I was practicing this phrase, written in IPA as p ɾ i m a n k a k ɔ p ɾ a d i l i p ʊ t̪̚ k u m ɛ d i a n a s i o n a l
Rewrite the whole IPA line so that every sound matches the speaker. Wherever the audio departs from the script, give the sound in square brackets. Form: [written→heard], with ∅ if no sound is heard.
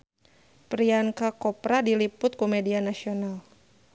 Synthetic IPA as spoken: p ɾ i [m→∅] a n k a k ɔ p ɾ a d i l i p ʊ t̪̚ k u m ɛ d i a n a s i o n a l